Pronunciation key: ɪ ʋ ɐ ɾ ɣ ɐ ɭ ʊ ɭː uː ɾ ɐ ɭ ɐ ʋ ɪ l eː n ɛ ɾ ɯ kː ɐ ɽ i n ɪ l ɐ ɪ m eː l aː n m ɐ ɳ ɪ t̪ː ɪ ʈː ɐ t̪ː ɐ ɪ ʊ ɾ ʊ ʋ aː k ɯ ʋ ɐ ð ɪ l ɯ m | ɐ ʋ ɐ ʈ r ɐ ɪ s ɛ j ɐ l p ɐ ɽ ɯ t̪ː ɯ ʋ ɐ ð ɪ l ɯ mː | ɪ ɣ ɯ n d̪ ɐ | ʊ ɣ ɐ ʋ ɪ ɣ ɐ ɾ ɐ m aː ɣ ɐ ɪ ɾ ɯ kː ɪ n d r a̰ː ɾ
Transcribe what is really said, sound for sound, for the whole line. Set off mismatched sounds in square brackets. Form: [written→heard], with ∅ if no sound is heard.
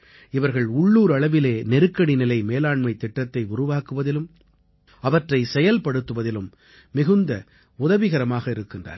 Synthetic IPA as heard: ɪ ʋ ɐ ɾ ɣ ɐ ɭ ʊ ɭː uː ɾ ɐ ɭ ɐ ʋ ɪ l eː n ɛ ɾ ɯ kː ɐ ɽ i n ɪ l ɐ ɪ m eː l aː [n→ɳ] m ɐ [ɳ→∅] ɪ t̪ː ɪ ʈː ɐ t̪ː ɐ ɪ ʊ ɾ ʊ ʋ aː k ɯ ʋ ɐ ð ɪ l ɯ m | ɐ ʋ ɐ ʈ r ɐ ɪ s ɛ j ɐ l p ɐ ɽ ɯ t̪ː ɯ ʋ ɐ ð ɪ l ɯ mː | ɪ ɣ ɯ n d̪ ɐ | ʊ [ɣ→ð] ɐ ʋ ɪ ɣ ɐ ɾ ɐ m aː ɣ ɐ ɪ ɾ ɯ kː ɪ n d r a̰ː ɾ